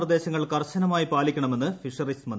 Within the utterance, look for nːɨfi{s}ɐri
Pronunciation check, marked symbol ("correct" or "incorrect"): incorrect